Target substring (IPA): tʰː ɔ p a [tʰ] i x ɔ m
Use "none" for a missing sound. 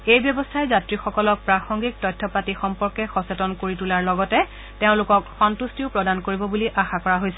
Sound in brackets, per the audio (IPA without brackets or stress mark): t